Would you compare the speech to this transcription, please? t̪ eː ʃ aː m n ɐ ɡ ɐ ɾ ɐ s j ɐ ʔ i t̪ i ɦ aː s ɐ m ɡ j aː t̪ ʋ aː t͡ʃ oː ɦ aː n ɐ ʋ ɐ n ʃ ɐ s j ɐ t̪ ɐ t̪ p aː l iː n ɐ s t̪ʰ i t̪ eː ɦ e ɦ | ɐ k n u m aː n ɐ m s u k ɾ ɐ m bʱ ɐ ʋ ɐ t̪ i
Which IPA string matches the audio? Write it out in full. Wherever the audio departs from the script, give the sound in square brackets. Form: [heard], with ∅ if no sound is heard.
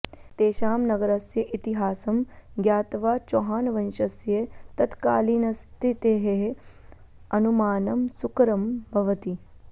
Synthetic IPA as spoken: t̪ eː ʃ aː m n ɐ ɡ ɐ ɾ ɐ s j ɐ ʔ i t̪ i ɦ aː s ɐ m ɡ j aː t̪ ʋ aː t͡ʃ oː ɦ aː n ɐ ʋ ɐ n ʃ ɐ s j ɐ t̪ ɐ t̪ [k] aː l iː n ɐ s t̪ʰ i t̪ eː ɦ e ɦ | ɐ [∅] n u m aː n ɐ m s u k ɾ ɐ m bʱ ɐ ʋ ɐ t̪ i